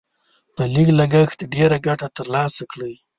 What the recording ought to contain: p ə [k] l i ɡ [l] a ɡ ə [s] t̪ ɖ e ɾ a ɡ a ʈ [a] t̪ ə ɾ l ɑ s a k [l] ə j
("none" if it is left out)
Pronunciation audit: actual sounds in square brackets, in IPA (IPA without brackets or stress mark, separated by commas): none, l, x, a, ɽ